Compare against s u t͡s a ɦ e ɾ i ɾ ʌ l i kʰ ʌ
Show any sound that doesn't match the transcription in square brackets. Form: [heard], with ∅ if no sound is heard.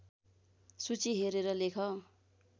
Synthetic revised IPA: s u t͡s [i] ɦ e ɾ [e] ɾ ʌ l [e] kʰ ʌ